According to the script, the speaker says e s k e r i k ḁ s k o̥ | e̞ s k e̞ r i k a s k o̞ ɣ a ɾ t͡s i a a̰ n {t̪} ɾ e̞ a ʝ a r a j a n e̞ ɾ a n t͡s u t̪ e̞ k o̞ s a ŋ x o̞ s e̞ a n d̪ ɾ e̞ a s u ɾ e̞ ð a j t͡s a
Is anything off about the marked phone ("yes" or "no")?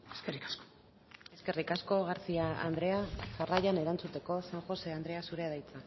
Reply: yes